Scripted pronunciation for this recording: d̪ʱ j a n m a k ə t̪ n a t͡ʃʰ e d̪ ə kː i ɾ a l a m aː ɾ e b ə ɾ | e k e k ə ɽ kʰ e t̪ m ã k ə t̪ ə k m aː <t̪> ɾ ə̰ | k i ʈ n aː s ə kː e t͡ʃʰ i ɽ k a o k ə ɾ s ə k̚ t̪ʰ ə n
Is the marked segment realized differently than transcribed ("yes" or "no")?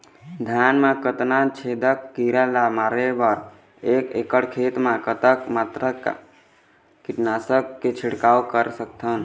no